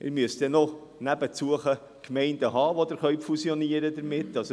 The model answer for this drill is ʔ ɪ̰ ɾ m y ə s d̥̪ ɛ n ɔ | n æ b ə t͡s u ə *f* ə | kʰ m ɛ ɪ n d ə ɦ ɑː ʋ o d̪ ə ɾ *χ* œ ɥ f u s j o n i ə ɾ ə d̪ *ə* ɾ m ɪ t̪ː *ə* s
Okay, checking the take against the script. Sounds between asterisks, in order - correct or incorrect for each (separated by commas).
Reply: incorrect, correct, correct, incorrect